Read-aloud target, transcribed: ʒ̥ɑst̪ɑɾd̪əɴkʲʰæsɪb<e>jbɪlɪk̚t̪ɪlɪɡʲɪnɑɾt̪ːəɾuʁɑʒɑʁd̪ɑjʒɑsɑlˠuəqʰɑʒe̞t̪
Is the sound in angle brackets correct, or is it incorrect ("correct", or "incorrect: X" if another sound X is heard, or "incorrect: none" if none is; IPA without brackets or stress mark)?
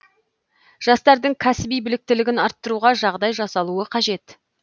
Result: incorrect: i